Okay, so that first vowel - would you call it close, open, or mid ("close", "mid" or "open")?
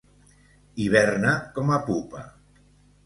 close